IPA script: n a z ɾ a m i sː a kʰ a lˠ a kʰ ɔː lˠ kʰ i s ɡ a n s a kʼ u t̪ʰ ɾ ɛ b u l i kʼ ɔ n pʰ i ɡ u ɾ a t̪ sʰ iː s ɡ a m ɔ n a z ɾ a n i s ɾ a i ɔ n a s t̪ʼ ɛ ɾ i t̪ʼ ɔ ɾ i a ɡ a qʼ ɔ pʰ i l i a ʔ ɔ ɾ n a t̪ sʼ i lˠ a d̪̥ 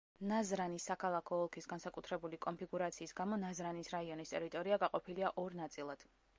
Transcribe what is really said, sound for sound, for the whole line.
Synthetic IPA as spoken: n a z ɾ a n i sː a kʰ a lˠ a kʰ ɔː lˠ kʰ i s ɡ a n s a kʼ u t̪ʰ ɾ ɛ b u l i kʼ ɔ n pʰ i ɡ u ɾ a t̪ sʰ iː s ɡ a m ɔ n a z ɾ a n i s ɾ a i ɔ n i s t̪ʼ ɛ ɾ i t̪ʼ ɔ ɾ i a ɡ a qʼ ɔ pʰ i l i a ʔ ɔ ɾ n a t̪ sʼ i lˠ a d̪̥